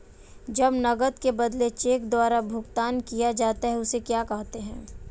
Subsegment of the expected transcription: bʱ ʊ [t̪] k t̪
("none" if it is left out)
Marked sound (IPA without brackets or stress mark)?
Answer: none